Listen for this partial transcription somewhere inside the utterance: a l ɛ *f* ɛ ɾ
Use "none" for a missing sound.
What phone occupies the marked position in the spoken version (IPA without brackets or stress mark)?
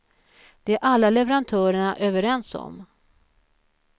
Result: v